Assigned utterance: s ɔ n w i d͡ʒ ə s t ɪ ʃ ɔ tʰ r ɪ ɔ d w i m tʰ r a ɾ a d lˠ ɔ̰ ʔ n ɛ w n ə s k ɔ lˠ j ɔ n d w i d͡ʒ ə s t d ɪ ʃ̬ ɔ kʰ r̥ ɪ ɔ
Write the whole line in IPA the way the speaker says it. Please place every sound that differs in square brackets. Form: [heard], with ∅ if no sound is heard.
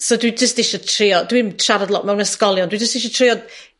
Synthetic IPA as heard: s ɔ [d] w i d͡ʒ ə s t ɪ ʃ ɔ tʰ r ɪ ɔ d w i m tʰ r a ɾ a d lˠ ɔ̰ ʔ [m] ɛ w n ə s k ɔ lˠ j ɔ n d w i d͡ʒ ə s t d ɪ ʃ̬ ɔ [tʰ] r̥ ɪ ɔ